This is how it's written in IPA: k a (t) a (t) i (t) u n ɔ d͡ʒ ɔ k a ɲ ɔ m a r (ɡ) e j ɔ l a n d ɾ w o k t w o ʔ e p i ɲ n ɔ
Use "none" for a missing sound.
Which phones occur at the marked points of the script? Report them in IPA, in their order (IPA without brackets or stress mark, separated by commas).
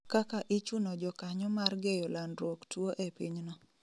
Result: k, ʔ, t͡ʃ, ɡ